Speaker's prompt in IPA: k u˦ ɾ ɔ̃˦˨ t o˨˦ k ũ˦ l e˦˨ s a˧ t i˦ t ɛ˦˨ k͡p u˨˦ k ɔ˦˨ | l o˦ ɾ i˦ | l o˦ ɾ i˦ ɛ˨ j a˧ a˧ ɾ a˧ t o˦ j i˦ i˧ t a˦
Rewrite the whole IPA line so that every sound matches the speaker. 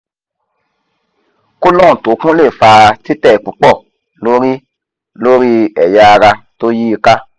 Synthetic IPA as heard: k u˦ l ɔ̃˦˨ t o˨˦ k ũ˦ l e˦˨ f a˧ t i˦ t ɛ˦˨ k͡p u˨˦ k͡p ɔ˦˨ | l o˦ ɾ i˦ | l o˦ ɾ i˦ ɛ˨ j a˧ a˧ ɾ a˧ t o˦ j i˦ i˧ k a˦